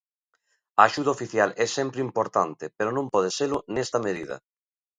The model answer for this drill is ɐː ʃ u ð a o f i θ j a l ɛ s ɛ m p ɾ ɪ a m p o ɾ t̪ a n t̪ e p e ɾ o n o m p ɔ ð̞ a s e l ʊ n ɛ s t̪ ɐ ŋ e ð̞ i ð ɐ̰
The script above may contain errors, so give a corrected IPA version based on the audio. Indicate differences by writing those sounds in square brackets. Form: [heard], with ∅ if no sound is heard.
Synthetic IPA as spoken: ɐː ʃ u ð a o f i θ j a l ɛ s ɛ m p ɾ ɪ [i] m p o ɾ t̪ a n t̪ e p e ɾ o n [õ] m p ɔ ð̞ [e] s e l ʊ n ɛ s t̪ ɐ [m] e ð̞ i ð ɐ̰